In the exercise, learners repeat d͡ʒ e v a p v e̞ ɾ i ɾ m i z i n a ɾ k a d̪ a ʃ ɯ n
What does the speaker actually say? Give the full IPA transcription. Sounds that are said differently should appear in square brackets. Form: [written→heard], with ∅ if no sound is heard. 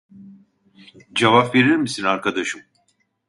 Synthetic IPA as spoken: d͡ʒ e v a p v e̞ ɾ i ɾ m i [z→s] i n a ɾ k a d̪ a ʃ ɯ [n→m]